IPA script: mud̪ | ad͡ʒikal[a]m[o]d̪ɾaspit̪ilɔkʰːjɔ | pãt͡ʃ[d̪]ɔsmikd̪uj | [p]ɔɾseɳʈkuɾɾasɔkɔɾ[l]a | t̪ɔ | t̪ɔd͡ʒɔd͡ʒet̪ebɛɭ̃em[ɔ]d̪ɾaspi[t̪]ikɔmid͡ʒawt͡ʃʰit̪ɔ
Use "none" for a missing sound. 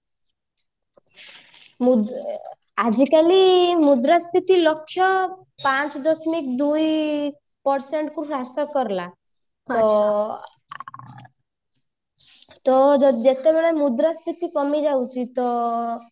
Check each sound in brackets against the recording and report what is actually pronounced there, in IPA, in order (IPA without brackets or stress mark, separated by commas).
i, u, d̪, p, l, u, t̪